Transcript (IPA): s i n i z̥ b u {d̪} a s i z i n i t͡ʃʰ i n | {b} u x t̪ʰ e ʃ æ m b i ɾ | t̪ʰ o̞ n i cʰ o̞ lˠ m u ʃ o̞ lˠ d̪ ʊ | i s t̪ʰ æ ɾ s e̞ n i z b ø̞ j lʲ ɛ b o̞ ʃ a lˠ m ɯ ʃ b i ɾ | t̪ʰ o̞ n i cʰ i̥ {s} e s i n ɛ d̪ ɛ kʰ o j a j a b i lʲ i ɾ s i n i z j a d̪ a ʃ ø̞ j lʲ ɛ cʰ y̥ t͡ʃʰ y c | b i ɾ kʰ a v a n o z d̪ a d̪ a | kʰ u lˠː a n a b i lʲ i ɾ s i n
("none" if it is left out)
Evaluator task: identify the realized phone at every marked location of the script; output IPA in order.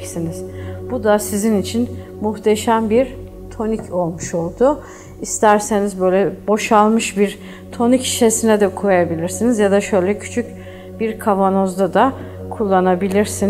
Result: d̪, m, ʃ

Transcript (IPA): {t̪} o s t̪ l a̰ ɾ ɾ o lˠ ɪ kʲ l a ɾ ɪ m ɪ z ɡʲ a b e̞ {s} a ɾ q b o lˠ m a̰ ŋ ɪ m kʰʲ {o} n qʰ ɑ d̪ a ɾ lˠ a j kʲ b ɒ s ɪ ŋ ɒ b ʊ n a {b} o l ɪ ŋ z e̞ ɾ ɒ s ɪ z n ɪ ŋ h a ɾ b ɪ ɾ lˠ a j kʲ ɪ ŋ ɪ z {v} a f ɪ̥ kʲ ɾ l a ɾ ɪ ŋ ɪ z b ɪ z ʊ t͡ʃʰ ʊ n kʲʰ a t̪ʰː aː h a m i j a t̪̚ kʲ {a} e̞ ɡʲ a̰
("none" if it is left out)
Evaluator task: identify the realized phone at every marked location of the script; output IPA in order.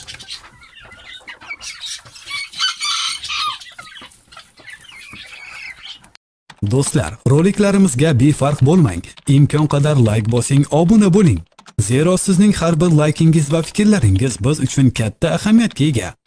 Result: d̪, f, ɒ, b, v, a

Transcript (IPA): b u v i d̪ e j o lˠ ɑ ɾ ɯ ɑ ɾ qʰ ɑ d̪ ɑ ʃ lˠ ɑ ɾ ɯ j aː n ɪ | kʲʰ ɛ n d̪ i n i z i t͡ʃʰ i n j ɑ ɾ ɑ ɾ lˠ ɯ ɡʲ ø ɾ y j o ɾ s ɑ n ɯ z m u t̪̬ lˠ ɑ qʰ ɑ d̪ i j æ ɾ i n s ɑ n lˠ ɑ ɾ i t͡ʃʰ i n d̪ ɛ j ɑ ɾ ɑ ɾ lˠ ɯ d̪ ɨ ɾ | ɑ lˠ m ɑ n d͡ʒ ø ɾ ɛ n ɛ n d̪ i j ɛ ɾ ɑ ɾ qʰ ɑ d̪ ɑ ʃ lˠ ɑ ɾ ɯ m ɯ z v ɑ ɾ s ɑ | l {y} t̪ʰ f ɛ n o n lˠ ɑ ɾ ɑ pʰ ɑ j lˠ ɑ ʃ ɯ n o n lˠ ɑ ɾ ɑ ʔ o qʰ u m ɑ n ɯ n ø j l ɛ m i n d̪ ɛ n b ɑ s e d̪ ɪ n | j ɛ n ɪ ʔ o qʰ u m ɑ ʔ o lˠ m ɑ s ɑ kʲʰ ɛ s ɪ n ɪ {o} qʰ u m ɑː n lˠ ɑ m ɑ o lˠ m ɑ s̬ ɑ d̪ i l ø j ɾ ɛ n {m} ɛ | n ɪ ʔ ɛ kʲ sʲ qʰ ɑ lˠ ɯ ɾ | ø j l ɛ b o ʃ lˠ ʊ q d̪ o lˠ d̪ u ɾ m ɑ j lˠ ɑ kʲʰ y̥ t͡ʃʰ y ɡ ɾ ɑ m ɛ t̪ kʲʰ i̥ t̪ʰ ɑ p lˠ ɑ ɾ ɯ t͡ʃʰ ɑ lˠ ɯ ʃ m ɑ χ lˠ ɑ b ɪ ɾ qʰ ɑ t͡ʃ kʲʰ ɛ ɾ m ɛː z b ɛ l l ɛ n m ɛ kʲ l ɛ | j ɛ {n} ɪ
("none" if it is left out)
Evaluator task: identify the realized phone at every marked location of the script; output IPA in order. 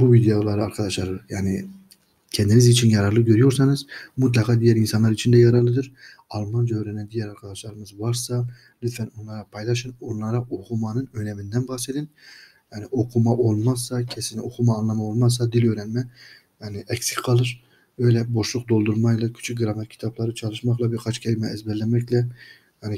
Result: y, o, m, n

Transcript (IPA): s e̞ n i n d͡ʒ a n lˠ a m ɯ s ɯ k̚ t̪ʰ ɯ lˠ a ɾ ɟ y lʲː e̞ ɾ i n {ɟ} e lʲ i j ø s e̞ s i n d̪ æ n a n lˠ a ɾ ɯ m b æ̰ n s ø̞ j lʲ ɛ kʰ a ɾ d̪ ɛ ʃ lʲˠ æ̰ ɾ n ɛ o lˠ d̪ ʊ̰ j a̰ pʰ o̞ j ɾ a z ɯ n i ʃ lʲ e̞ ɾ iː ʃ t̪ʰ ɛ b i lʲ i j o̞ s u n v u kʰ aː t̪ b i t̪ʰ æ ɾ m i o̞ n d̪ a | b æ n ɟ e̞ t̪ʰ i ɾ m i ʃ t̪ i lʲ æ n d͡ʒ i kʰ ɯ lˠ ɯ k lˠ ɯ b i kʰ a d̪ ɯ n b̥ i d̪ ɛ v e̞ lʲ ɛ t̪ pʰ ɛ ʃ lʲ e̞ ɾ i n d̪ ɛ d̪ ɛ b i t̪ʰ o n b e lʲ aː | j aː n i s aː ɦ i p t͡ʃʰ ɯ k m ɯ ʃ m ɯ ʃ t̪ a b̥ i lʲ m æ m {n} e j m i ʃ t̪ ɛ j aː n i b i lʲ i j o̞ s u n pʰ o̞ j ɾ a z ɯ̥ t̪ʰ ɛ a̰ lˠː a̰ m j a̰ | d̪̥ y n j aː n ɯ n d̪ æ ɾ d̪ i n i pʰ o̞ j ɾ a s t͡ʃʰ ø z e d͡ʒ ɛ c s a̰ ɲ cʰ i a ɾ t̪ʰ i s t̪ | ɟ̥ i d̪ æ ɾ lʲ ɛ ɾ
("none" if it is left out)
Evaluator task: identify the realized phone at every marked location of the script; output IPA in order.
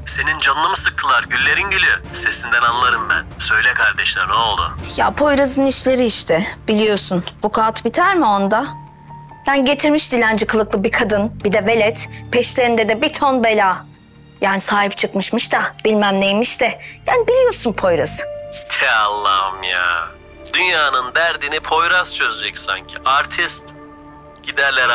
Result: ɟ, n

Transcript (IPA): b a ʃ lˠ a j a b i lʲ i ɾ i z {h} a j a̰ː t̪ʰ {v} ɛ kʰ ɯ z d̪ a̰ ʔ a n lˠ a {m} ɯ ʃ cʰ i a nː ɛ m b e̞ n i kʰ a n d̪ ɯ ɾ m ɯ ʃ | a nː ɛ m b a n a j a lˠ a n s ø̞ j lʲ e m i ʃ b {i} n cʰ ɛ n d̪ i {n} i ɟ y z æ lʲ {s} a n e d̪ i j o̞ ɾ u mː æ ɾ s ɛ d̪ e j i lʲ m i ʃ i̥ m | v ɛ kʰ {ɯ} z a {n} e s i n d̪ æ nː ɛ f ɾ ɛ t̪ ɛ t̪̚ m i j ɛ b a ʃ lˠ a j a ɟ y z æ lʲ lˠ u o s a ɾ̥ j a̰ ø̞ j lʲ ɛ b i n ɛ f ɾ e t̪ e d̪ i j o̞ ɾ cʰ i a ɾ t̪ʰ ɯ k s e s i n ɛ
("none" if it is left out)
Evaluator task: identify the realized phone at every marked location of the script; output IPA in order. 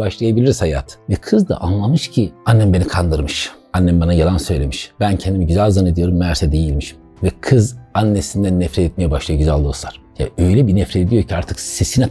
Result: h, v, m, æ, m, z, ɯ, nː

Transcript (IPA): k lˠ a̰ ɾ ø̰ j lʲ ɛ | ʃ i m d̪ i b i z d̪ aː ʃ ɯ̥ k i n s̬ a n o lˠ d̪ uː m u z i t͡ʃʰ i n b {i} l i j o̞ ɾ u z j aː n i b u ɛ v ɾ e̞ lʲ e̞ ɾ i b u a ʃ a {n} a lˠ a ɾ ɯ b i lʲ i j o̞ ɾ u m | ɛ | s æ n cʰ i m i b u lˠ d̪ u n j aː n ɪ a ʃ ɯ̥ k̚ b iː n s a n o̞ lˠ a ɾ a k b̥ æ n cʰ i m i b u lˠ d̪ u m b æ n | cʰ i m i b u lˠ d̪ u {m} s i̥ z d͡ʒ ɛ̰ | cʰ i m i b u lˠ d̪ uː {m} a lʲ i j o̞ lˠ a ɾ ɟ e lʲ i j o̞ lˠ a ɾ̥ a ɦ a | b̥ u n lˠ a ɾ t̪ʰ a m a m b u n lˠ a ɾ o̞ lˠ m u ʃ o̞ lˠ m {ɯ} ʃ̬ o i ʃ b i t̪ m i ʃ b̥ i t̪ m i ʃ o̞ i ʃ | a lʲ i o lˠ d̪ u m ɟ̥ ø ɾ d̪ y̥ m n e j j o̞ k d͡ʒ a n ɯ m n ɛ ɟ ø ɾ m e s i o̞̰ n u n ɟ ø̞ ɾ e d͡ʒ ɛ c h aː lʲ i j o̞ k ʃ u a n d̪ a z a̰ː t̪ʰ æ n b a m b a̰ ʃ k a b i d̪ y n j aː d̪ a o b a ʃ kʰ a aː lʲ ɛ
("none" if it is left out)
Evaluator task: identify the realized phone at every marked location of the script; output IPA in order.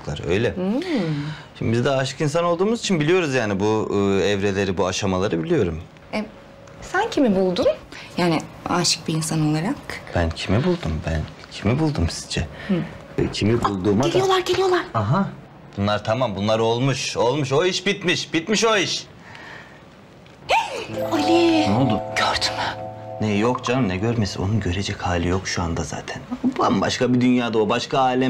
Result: i, m, m, m, u

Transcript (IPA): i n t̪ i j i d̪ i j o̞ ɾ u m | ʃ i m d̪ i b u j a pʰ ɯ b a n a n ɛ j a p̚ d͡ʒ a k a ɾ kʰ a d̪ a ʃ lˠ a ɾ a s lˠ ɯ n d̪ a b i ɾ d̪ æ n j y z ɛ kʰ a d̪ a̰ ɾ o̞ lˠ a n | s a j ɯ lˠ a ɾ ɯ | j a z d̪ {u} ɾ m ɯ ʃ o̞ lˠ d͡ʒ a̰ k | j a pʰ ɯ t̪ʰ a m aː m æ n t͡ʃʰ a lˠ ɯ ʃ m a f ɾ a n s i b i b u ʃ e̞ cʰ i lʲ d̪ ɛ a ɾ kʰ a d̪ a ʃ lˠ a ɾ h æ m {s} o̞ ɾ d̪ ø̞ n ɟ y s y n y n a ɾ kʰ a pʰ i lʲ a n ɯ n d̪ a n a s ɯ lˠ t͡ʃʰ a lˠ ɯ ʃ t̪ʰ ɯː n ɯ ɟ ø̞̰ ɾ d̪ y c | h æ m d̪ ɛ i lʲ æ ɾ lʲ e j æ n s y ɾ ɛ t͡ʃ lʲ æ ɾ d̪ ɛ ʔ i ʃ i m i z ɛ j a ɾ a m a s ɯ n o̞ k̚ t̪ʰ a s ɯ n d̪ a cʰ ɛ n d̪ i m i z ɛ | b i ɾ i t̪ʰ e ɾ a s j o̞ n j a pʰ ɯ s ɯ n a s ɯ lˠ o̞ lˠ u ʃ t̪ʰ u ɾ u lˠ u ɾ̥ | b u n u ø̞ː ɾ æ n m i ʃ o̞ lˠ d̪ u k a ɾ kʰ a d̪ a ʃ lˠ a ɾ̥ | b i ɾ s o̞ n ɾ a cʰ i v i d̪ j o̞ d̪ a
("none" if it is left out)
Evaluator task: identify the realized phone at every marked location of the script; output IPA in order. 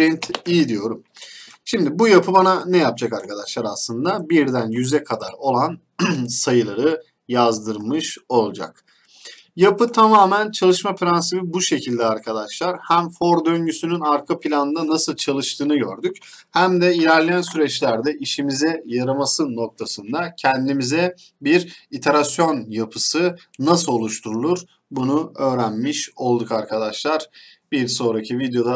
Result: ɯ, f

